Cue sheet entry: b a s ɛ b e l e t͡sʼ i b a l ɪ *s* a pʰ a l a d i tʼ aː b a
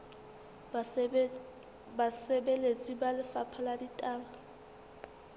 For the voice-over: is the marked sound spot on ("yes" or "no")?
no